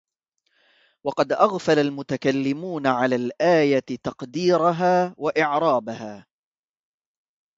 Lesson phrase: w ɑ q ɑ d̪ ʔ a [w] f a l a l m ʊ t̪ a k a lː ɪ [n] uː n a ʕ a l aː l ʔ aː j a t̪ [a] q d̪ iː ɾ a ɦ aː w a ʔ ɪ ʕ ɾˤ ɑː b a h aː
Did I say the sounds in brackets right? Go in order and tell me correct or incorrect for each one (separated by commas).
incorrect, incorrect, incorrect